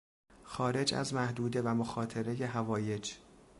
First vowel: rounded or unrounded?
rounded